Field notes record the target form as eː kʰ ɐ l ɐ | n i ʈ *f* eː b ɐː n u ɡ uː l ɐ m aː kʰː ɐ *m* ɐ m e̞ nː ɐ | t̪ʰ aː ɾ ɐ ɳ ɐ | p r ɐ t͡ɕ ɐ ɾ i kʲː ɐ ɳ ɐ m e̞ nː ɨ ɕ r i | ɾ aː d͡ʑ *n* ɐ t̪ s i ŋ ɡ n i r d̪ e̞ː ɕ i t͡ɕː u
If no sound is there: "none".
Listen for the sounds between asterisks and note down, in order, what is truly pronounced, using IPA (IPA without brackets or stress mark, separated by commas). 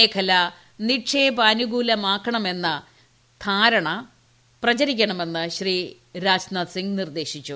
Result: ʂ, ɳ, n